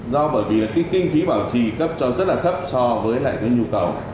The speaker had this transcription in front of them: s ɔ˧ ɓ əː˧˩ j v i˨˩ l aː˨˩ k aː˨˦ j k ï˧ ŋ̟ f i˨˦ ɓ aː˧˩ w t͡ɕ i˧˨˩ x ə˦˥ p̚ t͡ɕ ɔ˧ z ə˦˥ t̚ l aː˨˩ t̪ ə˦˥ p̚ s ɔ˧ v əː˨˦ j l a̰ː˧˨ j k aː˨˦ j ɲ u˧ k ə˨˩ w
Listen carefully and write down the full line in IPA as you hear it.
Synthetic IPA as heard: z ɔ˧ ɓ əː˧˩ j v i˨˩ l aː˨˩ k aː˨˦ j k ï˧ ŋ̟ f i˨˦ ɓ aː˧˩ w t͡ɕ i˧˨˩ k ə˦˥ p̚ t͡ɕ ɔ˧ z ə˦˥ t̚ l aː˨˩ t̪ʰ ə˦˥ p̚ s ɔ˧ v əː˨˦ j l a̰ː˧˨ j k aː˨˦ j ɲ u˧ k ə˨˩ w